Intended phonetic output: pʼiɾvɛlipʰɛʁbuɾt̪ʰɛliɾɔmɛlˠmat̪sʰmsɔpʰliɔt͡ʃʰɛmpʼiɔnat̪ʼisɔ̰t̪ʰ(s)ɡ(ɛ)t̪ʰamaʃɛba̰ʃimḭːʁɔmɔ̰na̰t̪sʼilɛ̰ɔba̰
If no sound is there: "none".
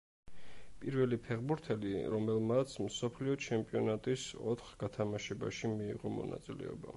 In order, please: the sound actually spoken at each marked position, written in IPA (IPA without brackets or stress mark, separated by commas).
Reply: χ, a